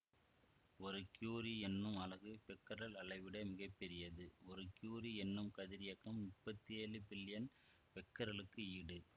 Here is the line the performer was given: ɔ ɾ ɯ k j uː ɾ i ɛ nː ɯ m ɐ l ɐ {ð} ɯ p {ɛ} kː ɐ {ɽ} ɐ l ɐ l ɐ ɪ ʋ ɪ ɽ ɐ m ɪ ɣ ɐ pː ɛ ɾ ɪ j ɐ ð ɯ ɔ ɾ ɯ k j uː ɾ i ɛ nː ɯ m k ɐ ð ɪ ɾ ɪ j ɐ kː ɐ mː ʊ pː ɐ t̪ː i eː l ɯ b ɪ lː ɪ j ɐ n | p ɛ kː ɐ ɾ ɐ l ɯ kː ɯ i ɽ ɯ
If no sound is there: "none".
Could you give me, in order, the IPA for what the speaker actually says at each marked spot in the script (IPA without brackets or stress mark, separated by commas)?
ɣ, ɛ, ɾ